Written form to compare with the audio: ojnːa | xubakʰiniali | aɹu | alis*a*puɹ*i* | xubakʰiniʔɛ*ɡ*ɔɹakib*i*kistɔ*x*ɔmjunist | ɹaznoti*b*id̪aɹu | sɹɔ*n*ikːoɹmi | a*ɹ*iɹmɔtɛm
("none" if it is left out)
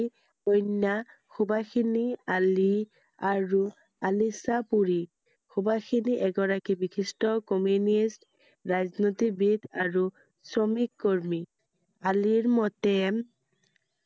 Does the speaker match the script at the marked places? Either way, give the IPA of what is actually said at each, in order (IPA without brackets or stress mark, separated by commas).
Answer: a, i, ɡ, i, k, b, m, l